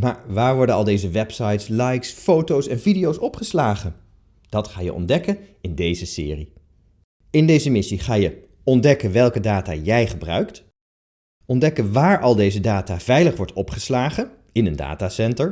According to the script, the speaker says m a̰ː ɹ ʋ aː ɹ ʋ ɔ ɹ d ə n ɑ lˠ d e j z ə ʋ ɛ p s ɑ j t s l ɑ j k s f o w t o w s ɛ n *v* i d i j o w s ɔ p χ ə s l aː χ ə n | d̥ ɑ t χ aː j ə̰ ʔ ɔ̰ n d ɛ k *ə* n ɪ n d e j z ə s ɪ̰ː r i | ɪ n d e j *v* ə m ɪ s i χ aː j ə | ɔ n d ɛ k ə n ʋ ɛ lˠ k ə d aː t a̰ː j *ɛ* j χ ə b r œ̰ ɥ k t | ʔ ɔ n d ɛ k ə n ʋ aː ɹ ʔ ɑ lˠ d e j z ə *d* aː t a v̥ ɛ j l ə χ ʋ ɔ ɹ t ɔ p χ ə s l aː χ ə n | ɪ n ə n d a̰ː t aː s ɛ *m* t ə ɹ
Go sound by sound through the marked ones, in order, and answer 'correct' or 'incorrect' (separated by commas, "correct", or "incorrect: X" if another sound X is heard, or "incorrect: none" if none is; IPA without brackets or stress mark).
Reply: correct, correct, incorrect: z, correct, correct, incorrect: n